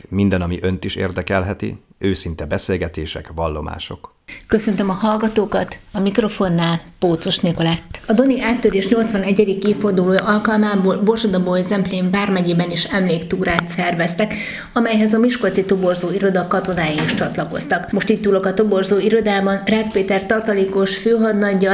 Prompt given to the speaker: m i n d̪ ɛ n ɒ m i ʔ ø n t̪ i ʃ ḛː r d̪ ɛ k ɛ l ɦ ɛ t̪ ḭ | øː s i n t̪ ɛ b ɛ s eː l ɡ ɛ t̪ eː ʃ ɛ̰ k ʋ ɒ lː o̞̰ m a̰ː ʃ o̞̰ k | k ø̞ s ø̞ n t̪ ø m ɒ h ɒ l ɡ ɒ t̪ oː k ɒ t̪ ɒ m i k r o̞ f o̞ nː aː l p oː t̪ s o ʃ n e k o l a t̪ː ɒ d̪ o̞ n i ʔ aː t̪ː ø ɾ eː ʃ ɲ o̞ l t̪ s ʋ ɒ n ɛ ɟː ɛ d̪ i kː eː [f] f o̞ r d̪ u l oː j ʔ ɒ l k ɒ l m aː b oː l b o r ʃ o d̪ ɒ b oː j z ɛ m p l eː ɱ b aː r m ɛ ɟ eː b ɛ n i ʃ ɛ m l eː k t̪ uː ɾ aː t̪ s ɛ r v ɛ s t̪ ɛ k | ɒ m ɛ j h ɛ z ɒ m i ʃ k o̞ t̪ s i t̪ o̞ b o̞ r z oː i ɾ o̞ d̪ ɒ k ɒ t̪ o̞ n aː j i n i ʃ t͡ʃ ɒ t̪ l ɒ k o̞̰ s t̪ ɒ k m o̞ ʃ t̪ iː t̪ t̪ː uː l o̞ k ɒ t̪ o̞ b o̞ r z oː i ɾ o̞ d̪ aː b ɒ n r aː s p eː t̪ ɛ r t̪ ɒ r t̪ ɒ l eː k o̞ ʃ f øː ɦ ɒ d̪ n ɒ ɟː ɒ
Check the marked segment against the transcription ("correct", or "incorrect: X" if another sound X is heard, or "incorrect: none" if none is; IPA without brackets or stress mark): correct